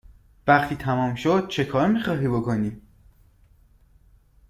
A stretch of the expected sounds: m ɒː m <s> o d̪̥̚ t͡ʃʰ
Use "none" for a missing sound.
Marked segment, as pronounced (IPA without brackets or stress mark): ʃ